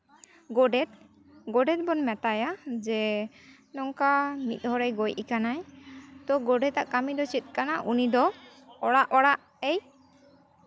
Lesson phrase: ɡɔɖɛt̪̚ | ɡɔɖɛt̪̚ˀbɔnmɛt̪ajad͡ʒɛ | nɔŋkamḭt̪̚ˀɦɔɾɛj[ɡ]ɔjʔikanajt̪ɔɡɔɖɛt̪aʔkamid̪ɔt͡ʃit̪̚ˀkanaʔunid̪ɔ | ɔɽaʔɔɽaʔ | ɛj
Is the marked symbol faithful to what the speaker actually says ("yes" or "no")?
yes